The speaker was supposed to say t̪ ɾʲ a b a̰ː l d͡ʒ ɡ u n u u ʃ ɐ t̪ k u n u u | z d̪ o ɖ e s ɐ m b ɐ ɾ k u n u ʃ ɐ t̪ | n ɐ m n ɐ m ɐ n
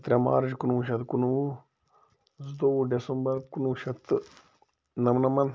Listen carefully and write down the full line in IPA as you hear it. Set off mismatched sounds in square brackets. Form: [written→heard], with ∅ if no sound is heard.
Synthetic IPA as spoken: t̪ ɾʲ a [b→m] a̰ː [l→ɾ] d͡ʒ [ɡ→k] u n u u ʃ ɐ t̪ k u n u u | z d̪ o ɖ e s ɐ m b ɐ ɾ k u n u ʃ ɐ t̪ | n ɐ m n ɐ m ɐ n